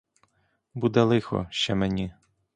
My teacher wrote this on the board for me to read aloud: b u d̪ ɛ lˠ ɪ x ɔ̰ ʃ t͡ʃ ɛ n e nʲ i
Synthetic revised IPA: b u d̪ ɛ lˠ ɪ x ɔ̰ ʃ t͡ʃ ɛ m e nʲ i